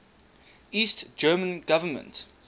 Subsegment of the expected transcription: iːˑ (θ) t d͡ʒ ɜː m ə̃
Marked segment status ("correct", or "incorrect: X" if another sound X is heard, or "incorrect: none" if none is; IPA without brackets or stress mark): incorrect: s